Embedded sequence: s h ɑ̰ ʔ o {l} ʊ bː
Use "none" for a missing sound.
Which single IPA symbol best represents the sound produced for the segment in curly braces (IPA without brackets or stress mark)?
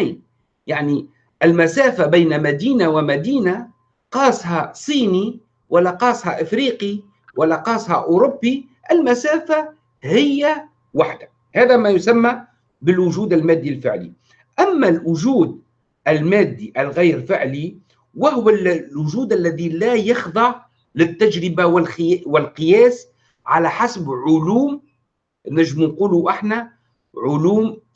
ɾ